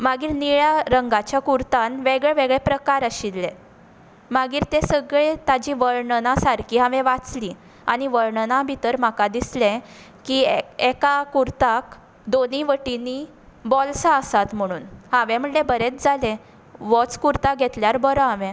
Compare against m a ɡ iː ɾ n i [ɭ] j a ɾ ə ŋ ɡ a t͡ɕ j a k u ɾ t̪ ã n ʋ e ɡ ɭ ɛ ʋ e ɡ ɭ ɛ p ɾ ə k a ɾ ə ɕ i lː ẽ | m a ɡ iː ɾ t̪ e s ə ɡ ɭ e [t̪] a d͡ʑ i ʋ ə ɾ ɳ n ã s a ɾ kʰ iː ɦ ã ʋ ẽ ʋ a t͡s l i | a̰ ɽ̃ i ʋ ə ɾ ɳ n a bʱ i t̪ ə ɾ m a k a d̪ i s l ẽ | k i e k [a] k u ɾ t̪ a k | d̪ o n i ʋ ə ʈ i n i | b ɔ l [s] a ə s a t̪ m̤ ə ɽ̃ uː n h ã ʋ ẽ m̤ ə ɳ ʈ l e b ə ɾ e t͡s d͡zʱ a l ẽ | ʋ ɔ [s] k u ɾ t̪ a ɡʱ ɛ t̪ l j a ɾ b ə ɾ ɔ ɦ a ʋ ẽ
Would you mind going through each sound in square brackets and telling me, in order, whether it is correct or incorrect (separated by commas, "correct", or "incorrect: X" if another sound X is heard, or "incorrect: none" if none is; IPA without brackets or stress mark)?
correct, correct, correct, correct, incorrect: t͡s